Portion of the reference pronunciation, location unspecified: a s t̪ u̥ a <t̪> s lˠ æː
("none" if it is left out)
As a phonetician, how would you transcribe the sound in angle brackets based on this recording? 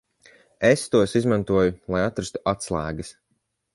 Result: t̪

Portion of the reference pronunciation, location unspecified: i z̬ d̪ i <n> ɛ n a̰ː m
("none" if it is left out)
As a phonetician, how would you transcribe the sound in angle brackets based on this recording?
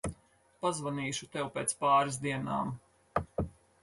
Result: none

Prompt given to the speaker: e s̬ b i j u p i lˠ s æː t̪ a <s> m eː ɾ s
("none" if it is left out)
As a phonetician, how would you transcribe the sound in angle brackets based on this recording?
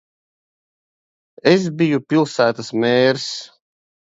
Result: s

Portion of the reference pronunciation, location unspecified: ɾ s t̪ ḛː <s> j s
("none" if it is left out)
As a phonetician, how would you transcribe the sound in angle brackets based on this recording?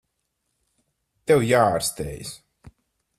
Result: none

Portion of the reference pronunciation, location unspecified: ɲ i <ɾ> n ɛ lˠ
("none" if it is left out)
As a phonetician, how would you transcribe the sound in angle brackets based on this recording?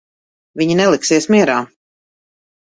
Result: none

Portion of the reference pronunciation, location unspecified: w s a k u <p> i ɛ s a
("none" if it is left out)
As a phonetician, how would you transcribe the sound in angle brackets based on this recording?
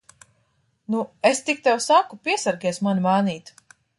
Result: p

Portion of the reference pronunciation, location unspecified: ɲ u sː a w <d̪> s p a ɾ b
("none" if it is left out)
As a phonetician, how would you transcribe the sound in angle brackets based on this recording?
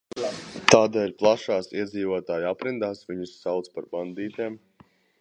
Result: t̪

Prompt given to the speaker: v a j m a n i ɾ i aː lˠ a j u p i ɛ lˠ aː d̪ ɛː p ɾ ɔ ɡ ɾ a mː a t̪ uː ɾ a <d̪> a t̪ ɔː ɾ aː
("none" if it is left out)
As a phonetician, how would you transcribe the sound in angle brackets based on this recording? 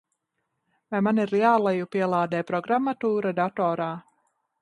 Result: d̪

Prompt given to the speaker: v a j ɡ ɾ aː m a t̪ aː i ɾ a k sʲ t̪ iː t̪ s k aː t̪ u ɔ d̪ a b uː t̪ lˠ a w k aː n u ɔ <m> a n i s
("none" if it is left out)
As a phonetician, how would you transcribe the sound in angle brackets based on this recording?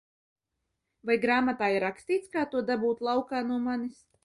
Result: m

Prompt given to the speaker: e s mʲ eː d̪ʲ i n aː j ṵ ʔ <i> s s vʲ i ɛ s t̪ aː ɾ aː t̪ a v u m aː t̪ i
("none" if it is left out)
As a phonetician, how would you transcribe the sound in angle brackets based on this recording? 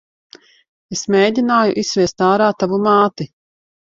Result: i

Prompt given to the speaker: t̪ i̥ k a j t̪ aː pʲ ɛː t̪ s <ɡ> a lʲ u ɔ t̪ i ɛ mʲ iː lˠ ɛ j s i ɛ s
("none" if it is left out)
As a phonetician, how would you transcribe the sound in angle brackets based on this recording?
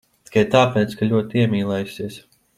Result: k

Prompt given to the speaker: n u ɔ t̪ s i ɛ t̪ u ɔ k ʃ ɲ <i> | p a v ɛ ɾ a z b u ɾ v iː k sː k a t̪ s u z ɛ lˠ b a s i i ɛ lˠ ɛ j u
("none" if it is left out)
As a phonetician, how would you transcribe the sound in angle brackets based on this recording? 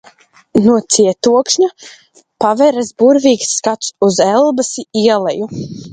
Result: a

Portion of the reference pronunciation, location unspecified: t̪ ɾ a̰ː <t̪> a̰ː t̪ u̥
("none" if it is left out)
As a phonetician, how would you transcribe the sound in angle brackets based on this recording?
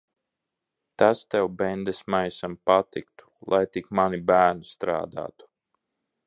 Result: d̪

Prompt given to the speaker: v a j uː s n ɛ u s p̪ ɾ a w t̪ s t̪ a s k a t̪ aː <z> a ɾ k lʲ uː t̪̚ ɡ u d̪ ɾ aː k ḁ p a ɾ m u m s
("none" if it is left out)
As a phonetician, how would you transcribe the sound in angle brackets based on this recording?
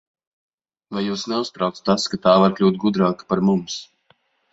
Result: v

